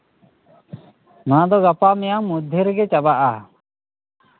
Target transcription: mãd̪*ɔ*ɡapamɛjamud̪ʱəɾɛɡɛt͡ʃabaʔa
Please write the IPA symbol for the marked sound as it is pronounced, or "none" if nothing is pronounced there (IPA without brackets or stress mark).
ɔ